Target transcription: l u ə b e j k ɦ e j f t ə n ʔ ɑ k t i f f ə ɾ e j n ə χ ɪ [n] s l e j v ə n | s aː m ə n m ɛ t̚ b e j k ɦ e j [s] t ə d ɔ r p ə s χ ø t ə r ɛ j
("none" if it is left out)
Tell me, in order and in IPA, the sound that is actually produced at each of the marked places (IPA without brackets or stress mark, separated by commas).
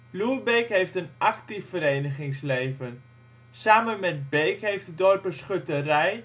ŋ, f